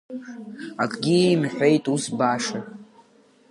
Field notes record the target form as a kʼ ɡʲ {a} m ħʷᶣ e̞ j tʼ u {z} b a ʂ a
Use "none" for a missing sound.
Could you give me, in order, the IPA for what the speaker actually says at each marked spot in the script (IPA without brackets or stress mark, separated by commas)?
i, s